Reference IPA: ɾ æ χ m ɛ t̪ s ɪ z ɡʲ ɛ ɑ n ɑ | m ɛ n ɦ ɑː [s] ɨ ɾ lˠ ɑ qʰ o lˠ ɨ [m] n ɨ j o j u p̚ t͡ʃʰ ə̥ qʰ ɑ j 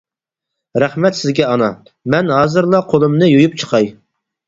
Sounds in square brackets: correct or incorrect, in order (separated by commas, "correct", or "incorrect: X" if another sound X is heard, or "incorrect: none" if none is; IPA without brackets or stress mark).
incorrect: z, correct